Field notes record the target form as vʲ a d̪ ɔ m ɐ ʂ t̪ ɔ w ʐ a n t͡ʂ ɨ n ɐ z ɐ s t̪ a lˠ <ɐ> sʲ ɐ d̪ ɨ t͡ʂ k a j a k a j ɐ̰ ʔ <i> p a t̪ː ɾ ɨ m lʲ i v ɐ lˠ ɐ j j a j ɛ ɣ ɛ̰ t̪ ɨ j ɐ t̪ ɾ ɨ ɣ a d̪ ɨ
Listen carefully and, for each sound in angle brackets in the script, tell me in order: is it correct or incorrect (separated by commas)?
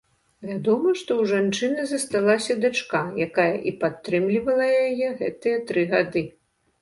incorrect, correct